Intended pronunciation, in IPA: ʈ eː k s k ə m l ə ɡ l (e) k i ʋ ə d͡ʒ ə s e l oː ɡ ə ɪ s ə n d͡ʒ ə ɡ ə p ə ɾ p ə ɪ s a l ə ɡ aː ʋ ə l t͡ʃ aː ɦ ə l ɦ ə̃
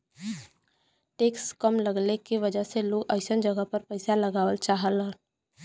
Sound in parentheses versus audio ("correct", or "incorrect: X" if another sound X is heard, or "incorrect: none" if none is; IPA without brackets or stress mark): correct